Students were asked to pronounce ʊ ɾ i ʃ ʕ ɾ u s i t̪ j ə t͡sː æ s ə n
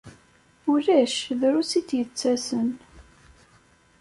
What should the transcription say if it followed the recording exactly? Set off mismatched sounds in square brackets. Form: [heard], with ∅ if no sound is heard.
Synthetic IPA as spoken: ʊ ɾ [æ] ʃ [ð] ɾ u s i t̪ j ə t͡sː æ s ə n